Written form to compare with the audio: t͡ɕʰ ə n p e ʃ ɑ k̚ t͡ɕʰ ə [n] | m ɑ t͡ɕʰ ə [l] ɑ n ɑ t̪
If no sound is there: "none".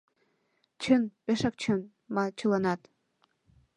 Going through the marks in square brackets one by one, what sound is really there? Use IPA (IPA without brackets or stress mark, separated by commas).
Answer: n, l